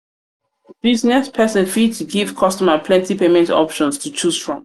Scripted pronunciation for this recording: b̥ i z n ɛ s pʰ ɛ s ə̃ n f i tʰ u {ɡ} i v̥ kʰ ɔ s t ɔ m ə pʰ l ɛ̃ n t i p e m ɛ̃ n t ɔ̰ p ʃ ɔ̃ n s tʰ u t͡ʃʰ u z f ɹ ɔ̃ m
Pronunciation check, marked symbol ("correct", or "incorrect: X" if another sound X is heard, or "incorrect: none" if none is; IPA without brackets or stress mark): correct